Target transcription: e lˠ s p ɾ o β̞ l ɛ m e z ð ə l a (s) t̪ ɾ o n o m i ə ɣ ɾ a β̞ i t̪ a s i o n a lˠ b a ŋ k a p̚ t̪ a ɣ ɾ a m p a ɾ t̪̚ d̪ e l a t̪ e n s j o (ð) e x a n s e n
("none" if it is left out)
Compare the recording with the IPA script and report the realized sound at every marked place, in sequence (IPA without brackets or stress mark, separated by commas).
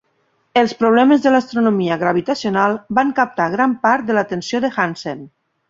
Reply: s, ð